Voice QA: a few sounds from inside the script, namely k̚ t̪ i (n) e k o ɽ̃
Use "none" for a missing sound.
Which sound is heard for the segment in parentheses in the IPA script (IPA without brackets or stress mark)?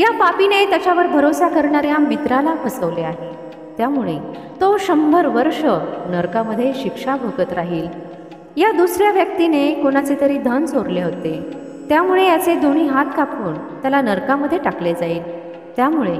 n